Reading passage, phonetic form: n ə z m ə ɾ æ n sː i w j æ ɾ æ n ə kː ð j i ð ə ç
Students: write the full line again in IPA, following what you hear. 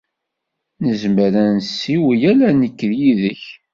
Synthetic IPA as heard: n ə z m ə ɾ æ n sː i w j æ l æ n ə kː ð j i ð ə ç